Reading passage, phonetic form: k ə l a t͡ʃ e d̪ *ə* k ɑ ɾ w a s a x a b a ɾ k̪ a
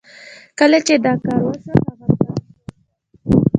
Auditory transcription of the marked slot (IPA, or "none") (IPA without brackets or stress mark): ɑ